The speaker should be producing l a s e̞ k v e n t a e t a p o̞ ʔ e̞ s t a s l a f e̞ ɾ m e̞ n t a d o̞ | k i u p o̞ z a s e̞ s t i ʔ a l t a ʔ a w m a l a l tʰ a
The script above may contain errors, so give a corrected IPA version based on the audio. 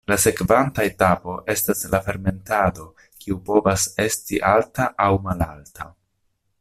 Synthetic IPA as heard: l a s e̞ k v a n t a e t a p o̞ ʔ e̞ s t a s l a f e̞ ɾ m e̞ n t a d o̞ | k i u p o̞ v a s e̞ s t i ʔ a l t a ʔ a w m a l a l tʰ a